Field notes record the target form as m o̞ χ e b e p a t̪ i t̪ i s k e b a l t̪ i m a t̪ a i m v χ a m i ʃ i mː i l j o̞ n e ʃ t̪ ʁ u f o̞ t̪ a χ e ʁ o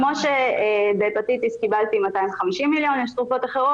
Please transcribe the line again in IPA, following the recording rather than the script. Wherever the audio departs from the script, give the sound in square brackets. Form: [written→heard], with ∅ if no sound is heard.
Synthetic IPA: m o̞ [χ→ʃ] e b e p a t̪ i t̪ i s k [e→i] b a l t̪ i m a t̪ a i m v χ a m i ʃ i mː i l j o̞ n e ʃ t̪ ʁ u f o̞ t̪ a χ e ʁ o